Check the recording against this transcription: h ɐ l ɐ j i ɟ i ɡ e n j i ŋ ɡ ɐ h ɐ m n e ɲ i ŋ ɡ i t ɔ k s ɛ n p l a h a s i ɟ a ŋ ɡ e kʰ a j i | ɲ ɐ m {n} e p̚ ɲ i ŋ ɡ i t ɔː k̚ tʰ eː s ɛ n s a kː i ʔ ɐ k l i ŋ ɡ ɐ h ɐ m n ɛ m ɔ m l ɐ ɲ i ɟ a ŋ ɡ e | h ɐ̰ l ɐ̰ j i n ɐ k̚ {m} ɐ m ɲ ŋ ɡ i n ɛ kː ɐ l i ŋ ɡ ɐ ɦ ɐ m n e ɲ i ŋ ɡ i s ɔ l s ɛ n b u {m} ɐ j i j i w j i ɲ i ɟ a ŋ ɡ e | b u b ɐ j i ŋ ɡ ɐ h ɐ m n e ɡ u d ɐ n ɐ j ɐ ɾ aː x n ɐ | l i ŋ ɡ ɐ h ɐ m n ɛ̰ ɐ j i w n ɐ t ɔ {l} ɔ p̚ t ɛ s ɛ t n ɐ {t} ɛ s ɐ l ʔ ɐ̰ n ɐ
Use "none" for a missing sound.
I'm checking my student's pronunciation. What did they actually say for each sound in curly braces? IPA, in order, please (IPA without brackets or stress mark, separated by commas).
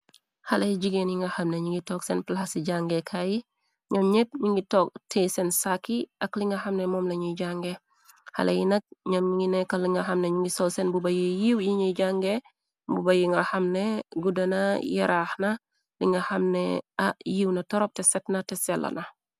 ɲ, ɲ, b, ɾ, t